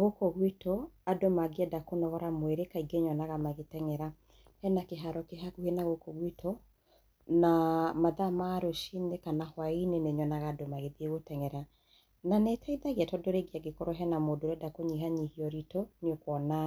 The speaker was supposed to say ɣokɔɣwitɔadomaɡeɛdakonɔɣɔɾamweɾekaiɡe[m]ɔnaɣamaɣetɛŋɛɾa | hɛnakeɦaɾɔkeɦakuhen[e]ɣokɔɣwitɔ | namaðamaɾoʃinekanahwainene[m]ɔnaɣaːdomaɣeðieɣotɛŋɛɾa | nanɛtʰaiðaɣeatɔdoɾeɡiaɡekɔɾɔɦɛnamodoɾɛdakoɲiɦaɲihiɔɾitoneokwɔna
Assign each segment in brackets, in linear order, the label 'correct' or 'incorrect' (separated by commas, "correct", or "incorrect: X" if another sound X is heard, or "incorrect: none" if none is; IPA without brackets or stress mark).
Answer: incorrect: ɲ, incorrect: a, incorrect: ɲ